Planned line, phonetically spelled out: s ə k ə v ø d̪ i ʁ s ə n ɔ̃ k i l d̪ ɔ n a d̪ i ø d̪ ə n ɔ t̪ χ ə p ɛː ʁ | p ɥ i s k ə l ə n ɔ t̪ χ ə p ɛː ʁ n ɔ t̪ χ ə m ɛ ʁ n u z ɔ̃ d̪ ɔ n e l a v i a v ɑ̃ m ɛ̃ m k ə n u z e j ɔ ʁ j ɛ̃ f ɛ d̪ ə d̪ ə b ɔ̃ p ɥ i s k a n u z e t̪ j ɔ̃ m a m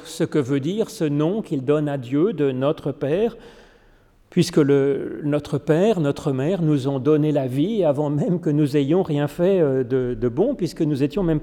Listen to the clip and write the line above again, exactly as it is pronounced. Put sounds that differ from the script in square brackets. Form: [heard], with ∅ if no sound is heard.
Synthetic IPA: s ə k ə v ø d̪ i ʁ s ə n ɔ̃ k i l d̪ ɔ n a d̪ [j] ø d̪ ə n ɔ t̪ χ ə p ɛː ʁ | p ɥ i s k ə l ə n ɔ t̪ χ ə p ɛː ʁ n ɔ t̪ χ ə m ɛ ʁ n u z ɔ̃ d̪ ɔ n e l a v i a v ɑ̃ m [ɛ] m k ə n u z e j [ɔ̃] ʁ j ɛ̃ f ɛ d̪ ə d̪ ə b ɔ̃ p ɥ i s k [ə] n u z e t̪ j ɔ̃ m [ɛ] m